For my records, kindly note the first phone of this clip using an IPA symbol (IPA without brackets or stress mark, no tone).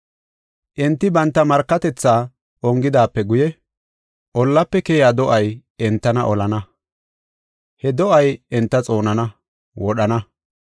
ʔ